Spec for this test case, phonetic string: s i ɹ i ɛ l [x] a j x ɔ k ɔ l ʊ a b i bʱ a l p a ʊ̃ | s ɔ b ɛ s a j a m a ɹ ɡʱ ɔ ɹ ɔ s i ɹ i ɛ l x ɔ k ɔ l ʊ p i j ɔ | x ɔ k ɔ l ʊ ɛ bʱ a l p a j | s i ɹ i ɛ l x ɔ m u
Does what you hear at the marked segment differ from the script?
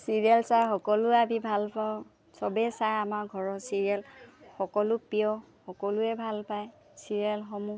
yes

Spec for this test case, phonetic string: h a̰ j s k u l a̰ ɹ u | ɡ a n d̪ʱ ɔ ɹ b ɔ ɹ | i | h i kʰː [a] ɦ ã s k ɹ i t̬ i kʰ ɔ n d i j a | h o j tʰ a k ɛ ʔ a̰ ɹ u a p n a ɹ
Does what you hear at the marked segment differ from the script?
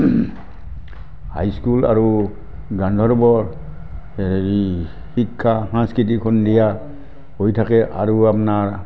no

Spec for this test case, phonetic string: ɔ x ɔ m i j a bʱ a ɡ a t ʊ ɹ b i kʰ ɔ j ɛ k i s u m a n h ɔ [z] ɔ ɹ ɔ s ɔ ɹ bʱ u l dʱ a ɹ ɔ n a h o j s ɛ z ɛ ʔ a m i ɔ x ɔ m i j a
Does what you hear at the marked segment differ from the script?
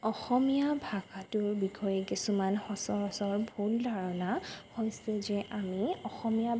yes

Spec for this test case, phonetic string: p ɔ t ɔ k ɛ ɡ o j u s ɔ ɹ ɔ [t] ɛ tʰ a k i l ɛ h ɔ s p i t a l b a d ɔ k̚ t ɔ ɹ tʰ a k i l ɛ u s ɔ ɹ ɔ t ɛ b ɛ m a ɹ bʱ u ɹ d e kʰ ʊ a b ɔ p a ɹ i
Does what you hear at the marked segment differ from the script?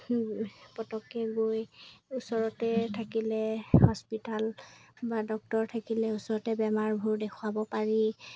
no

